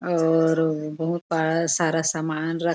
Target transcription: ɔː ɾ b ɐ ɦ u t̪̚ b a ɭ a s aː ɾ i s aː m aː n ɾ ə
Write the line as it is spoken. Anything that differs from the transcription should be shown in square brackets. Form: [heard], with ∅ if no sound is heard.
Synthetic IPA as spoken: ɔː ɾ b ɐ ɦ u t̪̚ b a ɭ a s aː ɾ [a] s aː m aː n ɾ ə